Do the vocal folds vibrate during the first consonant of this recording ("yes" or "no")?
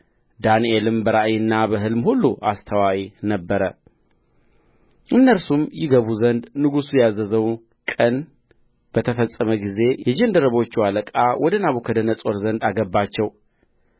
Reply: yes